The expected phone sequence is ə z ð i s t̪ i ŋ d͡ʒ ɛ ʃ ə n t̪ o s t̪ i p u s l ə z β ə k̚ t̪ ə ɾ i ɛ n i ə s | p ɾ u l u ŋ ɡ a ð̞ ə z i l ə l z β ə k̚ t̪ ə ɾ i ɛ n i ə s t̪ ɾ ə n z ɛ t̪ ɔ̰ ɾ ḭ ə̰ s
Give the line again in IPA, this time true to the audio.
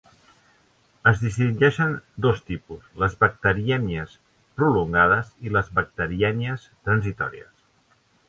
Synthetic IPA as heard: ə z ð i s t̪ i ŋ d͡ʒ ɛ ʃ ə n d̪ o s t̪ i p u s l ə z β ə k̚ t̪ ə ɾ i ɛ n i ə s | p ɾ u l u ŋ ɡ a ð̞ ə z i l ə z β ə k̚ t̪ ə ɾ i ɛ n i ə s t̪ ɾ ə n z i t̪ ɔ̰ ɾ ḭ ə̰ s